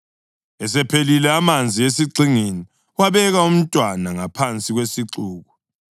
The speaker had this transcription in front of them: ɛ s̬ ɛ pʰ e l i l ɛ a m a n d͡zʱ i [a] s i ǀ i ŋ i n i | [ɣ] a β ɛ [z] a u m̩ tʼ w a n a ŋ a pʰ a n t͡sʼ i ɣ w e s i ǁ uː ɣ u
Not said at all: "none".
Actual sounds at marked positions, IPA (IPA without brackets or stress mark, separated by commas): e, w, ɣ